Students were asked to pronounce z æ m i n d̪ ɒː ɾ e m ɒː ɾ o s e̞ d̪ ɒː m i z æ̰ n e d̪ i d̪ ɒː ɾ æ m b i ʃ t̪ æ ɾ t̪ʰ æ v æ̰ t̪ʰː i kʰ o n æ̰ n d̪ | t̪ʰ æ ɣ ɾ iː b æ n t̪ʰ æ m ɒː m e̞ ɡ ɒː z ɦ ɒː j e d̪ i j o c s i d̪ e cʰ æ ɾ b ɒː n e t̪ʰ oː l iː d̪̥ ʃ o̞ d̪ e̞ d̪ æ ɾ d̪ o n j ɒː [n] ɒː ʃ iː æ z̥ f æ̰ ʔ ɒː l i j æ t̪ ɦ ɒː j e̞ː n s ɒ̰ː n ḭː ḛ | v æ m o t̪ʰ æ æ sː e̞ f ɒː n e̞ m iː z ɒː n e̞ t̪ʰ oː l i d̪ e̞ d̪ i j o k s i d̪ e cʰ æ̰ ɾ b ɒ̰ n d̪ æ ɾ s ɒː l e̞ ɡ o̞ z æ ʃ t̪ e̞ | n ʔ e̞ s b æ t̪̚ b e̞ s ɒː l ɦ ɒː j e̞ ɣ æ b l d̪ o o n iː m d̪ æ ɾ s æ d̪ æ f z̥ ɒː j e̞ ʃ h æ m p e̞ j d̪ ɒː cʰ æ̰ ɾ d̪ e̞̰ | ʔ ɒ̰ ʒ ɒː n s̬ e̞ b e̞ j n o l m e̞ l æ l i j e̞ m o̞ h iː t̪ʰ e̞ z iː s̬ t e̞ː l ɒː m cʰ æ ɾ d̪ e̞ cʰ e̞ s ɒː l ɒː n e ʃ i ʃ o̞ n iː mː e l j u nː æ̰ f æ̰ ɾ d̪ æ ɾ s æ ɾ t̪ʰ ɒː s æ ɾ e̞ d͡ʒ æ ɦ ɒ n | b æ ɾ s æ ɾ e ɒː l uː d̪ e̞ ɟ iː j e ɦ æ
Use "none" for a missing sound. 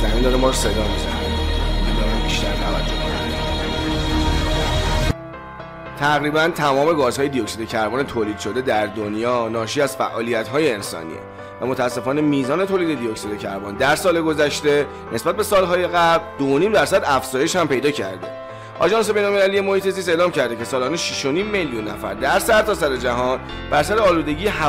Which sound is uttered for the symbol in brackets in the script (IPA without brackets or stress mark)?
n